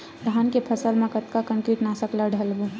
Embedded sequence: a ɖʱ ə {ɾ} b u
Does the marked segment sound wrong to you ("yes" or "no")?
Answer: yes